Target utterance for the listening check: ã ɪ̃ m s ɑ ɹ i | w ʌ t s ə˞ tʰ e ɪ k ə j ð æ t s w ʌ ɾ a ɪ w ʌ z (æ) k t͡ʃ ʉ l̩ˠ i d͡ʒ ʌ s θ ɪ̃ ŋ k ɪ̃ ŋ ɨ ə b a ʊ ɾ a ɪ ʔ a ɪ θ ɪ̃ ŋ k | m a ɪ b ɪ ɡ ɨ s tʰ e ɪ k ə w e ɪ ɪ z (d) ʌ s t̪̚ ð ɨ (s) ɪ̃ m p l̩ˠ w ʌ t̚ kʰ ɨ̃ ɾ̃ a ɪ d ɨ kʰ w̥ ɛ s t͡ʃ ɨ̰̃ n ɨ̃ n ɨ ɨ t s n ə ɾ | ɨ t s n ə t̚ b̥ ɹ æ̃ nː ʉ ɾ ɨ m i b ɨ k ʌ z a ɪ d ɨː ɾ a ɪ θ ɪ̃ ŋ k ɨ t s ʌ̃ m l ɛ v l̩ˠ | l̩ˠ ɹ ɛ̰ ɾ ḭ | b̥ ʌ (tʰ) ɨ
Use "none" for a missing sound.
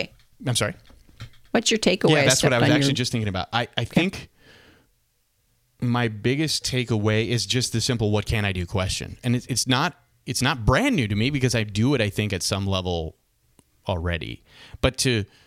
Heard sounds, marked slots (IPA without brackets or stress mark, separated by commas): æ, d͡ʒ, s, tʰ